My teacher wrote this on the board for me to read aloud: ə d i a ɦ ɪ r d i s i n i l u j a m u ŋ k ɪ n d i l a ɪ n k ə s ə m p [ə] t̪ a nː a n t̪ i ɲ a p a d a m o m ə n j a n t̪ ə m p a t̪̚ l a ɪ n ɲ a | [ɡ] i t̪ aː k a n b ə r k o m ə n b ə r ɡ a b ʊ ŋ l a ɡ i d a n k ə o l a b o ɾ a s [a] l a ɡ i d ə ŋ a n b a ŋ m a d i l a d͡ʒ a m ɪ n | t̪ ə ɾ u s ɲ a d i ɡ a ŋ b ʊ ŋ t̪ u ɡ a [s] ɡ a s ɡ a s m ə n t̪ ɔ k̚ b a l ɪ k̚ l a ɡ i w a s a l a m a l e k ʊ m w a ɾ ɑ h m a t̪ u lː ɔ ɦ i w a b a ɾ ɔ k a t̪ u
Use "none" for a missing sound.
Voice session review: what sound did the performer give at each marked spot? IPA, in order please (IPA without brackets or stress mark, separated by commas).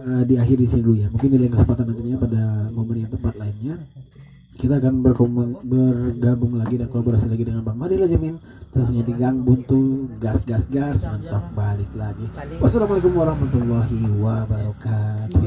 a, k, i, s